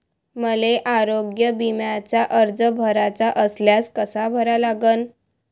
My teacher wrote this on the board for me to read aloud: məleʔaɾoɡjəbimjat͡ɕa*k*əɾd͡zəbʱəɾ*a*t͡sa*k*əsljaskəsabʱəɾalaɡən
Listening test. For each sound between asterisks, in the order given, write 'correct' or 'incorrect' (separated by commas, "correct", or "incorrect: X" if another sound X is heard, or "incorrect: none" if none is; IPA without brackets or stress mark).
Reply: incorrect: ʔ, correct, incorrect: ʔ